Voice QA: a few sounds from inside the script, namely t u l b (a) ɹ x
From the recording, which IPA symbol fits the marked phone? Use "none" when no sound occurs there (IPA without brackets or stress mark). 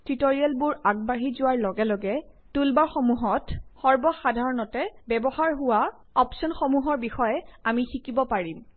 a